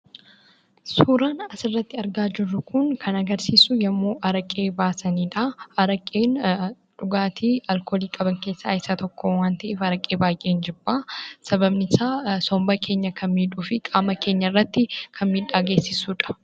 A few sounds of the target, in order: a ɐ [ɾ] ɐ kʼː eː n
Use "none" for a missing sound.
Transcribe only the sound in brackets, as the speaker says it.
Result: ɾ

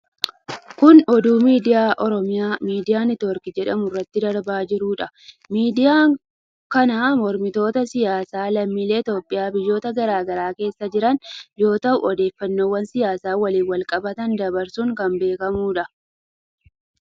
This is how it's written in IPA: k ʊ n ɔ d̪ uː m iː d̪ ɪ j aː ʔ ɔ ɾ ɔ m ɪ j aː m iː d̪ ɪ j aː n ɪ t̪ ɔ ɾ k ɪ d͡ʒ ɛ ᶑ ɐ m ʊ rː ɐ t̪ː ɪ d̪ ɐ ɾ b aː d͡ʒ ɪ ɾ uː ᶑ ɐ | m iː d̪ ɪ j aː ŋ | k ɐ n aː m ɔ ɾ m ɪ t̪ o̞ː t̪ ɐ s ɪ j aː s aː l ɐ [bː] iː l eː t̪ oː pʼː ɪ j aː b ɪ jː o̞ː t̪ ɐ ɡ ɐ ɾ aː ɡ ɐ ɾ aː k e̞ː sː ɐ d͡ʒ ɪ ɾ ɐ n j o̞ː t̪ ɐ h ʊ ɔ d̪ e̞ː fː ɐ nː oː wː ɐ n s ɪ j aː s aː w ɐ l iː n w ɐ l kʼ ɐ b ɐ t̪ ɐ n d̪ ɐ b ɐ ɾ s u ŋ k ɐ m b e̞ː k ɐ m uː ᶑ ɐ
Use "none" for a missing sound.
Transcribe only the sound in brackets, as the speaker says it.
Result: mː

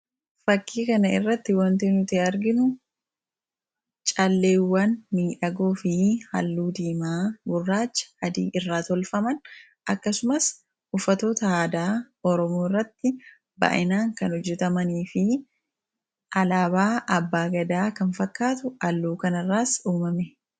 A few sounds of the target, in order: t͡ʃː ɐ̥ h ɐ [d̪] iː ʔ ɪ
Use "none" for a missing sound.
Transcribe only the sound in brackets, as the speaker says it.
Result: d̪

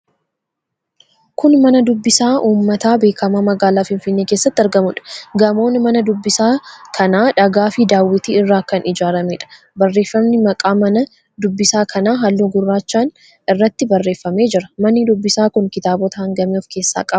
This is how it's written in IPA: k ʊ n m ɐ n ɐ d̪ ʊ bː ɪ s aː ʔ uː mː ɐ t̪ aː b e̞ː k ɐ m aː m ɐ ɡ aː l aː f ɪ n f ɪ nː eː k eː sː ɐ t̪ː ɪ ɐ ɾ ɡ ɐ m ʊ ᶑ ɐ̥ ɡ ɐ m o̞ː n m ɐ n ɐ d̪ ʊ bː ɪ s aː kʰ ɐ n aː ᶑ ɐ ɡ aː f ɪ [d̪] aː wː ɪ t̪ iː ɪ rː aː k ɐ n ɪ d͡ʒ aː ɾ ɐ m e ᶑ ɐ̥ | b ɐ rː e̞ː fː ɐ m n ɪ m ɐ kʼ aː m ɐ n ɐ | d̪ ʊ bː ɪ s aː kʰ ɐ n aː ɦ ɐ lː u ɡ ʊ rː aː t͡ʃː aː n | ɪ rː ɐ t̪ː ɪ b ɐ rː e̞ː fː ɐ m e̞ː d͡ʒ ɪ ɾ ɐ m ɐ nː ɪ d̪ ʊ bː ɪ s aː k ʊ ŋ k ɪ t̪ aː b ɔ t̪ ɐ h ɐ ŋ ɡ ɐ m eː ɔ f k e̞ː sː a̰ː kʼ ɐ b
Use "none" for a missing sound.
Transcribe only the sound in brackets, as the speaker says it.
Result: d̪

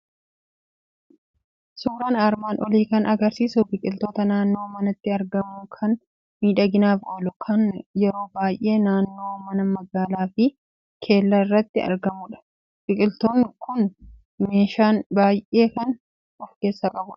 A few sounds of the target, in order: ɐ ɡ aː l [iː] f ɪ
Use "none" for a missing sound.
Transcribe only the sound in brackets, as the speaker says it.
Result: aː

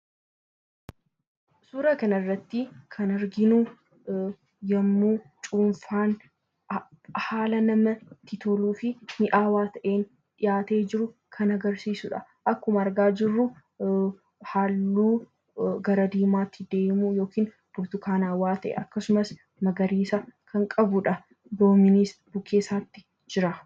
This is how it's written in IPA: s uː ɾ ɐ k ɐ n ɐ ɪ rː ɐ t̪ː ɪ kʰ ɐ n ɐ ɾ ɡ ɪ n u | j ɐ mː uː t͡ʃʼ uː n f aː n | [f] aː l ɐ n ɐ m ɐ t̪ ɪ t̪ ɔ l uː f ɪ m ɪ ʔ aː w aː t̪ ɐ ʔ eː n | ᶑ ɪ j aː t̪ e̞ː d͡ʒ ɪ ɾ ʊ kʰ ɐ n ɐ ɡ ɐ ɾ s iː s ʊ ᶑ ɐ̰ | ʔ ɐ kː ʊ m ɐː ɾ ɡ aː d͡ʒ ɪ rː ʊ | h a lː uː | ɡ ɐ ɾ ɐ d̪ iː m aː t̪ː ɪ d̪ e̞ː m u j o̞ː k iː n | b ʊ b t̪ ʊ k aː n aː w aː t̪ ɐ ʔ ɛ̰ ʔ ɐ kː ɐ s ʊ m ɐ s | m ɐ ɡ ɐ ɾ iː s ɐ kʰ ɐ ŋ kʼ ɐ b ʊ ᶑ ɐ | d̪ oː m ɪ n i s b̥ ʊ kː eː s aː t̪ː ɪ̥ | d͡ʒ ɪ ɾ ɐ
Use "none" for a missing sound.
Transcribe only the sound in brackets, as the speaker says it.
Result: h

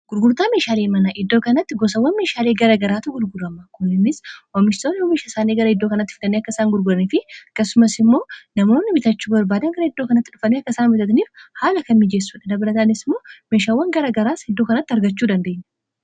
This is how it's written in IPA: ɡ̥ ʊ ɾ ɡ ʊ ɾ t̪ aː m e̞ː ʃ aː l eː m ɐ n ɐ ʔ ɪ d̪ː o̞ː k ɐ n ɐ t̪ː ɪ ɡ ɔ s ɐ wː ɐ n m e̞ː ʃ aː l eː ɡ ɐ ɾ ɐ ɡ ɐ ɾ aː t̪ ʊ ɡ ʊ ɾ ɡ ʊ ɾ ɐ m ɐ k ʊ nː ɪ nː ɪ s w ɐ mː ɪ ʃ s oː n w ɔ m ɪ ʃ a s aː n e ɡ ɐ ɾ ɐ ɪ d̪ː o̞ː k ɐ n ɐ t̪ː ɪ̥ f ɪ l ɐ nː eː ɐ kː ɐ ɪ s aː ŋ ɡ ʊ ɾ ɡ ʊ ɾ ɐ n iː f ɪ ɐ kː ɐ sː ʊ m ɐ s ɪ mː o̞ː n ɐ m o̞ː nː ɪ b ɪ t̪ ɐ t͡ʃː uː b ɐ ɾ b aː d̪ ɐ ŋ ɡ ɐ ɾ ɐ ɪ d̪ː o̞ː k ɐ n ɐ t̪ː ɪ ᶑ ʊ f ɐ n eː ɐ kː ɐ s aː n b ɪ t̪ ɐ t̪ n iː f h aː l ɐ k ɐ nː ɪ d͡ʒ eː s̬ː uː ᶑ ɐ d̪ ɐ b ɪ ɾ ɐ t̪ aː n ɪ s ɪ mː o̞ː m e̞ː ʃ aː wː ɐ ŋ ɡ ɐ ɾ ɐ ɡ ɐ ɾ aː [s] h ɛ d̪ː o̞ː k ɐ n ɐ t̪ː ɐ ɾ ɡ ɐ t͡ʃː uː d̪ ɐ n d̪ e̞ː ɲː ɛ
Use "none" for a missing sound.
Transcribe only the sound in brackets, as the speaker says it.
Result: s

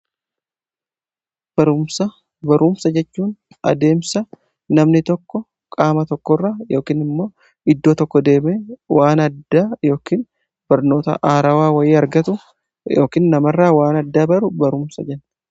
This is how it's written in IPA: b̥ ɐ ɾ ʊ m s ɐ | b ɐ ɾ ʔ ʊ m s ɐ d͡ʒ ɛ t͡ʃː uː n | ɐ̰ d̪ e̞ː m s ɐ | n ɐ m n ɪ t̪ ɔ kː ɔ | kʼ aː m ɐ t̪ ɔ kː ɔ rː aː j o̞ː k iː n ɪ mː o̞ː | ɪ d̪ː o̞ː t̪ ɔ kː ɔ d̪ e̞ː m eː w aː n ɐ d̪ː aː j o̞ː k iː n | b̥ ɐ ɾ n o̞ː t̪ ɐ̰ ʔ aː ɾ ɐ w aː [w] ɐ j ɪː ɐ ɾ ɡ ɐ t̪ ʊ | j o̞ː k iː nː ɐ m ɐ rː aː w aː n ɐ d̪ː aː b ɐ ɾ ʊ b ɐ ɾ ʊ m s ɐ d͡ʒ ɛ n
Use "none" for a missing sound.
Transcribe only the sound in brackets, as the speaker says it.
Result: w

